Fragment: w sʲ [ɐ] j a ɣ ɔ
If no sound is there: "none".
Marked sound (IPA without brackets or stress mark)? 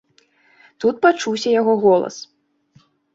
ɐ